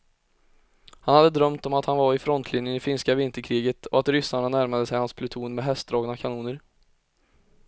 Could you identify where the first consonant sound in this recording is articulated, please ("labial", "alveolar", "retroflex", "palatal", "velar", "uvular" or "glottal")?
glottal